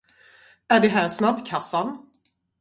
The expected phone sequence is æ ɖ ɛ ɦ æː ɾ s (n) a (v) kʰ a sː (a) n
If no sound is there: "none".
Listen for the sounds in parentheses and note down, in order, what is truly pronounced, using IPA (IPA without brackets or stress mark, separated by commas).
n, b, a